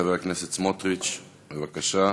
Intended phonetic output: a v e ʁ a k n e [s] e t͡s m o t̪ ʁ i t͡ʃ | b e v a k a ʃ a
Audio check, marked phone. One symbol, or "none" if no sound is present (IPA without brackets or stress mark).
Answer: s